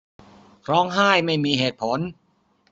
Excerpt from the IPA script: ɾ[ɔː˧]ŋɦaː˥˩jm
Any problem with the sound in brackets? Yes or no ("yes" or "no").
yes